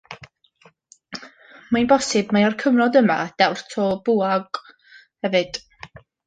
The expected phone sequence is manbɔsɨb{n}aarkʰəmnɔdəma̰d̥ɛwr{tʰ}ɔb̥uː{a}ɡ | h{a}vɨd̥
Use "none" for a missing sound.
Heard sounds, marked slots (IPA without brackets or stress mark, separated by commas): m, tʰ, a, ɛ